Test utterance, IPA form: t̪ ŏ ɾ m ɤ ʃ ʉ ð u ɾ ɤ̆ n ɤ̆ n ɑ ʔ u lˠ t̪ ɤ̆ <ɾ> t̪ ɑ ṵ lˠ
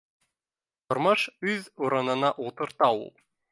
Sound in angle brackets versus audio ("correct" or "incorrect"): correct